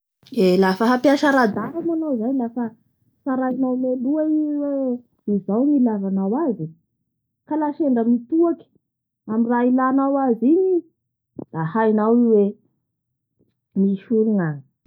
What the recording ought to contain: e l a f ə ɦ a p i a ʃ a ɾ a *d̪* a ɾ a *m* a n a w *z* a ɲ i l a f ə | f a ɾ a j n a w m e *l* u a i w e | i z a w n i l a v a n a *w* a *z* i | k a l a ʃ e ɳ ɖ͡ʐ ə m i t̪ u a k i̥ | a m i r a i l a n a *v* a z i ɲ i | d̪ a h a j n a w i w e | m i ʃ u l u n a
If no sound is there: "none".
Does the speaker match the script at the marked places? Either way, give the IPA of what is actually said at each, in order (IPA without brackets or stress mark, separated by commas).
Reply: d̪, m, z, l, w, z, w